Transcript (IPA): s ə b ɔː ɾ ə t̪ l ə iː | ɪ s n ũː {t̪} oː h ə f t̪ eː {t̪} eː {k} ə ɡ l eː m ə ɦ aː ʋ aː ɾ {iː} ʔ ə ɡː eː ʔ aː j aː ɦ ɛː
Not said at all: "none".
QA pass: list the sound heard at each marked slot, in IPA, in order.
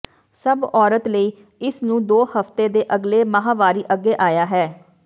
d̪, d̪, ʔ, iː

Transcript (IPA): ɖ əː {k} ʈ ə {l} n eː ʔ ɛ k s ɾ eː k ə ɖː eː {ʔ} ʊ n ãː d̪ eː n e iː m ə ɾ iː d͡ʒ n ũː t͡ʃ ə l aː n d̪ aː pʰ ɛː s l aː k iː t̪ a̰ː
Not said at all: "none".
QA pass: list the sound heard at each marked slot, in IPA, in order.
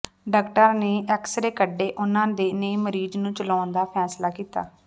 k, ɾ, ʔ

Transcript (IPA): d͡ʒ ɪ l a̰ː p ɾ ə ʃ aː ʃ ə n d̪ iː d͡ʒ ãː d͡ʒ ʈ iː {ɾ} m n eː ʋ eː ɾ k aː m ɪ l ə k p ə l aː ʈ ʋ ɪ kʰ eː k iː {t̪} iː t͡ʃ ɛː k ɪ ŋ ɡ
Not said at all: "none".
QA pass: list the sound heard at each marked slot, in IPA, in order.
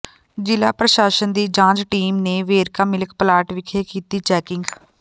none, t̪

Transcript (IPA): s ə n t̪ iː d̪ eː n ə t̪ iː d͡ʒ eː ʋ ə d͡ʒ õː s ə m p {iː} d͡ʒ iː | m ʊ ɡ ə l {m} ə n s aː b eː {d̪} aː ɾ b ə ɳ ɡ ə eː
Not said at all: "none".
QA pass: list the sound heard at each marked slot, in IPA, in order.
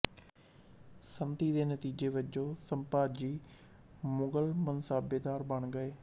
aː, m, d̪

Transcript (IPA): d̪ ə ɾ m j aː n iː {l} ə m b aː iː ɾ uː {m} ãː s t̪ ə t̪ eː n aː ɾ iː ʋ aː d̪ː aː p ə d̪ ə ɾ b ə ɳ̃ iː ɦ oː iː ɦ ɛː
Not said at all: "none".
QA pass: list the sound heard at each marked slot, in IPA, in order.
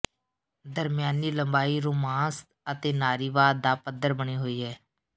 l, m

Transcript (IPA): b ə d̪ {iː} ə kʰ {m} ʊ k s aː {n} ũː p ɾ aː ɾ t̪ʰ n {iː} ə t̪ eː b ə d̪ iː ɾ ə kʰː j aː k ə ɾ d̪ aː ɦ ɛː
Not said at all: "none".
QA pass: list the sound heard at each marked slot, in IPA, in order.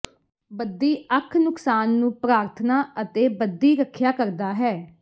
iː, n, nː, aː

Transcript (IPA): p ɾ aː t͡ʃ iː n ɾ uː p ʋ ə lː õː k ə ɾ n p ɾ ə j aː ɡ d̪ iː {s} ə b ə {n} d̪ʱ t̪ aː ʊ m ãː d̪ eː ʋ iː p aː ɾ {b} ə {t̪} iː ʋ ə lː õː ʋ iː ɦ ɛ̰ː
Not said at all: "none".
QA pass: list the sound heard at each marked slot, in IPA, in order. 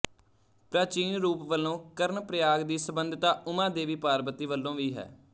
s, n, b, t̪

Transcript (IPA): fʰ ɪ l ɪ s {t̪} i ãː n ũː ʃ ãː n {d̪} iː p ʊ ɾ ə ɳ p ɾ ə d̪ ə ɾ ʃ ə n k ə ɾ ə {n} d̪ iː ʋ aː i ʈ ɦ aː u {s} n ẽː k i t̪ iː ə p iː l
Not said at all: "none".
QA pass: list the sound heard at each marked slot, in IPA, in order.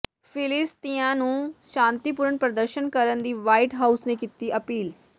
t̪, t̪, n, s

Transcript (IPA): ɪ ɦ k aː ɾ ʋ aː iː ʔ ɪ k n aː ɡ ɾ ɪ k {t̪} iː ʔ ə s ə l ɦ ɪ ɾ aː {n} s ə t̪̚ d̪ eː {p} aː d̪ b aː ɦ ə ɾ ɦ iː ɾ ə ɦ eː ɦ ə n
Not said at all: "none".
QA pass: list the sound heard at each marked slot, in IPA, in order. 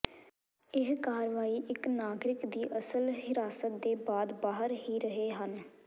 d̪, none, b

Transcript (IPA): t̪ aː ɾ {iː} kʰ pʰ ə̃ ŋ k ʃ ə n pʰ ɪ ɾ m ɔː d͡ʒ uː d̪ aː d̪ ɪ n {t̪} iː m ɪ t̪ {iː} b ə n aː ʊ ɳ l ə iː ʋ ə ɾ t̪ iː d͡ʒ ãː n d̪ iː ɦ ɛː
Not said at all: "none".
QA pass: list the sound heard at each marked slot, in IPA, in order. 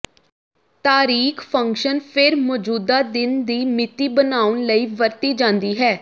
iː, d̪, iː

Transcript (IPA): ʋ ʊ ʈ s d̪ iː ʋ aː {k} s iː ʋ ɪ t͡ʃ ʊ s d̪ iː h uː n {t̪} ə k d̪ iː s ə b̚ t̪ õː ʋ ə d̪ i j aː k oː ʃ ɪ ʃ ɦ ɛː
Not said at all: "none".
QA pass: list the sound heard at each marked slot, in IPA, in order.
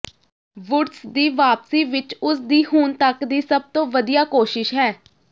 p, t̪

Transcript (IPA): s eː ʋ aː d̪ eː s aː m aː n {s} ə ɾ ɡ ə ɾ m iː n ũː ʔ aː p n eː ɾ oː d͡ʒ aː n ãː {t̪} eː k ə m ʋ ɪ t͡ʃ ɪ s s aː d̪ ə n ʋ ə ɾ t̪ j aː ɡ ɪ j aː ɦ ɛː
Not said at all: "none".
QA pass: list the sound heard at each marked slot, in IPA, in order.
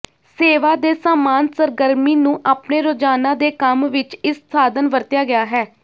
s, d̪

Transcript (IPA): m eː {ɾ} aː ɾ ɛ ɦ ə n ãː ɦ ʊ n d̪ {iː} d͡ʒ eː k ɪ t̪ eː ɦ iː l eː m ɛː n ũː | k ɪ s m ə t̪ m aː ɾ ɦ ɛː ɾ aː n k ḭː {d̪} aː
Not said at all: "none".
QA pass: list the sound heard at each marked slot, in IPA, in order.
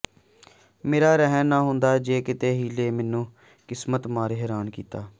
ɾ, aː, t̪

